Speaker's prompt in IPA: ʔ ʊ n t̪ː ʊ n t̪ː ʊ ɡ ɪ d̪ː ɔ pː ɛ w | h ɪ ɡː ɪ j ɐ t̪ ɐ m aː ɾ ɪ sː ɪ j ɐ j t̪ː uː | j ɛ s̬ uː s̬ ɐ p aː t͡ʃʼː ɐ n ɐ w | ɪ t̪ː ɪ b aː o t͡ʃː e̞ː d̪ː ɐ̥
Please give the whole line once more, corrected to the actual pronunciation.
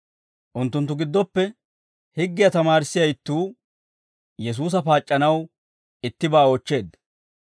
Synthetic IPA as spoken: ʔ ʊ n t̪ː ʊ n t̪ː ʊ ɡ ɪ d̪ː ɔ pː ɛ | h ɪ ɡː ɪ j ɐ t̪ ɐ m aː ɾ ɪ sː ɪ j ɐ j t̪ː uː | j ɛ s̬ uː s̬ ɐ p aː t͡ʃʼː ɐ n ɐ w | ɪ t̪ː ɪ b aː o t͡ʃː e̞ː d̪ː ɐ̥